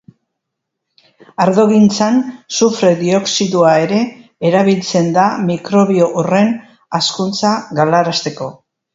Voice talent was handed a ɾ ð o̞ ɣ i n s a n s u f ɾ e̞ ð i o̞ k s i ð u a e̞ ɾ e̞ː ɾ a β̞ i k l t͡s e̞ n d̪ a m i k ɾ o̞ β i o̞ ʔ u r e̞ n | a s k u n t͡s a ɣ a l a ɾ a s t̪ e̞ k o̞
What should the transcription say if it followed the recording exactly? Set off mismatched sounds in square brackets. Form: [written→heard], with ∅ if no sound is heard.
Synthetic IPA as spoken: a ɾ ð o̞ ɣ i n [s→t͡s] a n s u f ɾ e̞ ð i o̞ k s i ð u a e̞ ɾ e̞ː ɾ a β̞ i [k→∅] l t͡s e̞ n d̪ a m i k ɾ o̞ β i o̞ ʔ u r e̞ n | a s k u n t͡s a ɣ a l a ɾ a s t̪ e̞ k o̞